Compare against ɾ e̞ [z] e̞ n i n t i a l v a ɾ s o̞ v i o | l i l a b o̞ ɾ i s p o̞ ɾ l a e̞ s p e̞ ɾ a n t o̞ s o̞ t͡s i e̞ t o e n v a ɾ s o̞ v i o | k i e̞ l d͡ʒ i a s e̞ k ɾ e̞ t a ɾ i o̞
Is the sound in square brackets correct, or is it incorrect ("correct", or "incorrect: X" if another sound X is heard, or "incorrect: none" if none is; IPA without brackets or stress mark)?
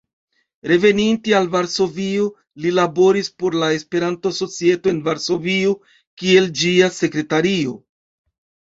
incorrect: v